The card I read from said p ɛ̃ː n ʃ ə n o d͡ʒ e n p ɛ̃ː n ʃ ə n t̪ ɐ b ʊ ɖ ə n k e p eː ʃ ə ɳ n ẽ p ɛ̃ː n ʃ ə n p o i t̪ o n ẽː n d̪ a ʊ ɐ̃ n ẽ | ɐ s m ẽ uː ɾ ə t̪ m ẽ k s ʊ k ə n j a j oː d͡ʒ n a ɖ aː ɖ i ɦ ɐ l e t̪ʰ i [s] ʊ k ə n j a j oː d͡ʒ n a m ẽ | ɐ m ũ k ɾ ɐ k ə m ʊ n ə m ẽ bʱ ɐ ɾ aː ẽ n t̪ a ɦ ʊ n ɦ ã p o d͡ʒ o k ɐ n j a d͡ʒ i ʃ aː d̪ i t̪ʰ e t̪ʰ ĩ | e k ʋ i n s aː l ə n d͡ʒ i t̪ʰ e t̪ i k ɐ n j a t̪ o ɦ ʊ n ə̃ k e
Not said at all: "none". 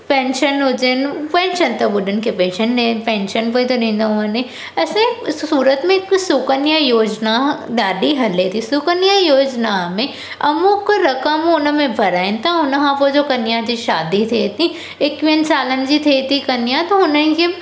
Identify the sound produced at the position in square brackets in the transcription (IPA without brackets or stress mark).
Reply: s